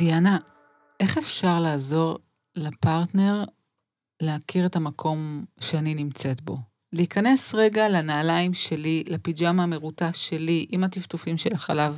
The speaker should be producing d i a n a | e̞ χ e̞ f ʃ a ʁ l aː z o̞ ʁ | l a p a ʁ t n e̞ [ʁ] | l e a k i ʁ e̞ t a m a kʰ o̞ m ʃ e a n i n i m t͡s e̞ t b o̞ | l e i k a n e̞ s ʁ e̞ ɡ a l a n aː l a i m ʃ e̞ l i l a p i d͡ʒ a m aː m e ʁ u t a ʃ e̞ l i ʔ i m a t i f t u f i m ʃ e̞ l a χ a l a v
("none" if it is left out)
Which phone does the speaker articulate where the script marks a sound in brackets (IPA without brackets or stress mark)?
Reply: ʁ